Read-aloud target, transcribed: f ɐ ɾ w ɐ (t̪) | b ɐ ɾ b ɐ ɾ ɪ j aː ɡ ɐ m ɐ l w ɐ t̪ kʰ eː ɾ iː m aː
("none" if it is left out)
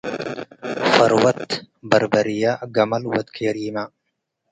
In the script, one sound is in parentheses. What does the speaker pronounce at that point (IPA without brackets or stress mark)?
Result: t̪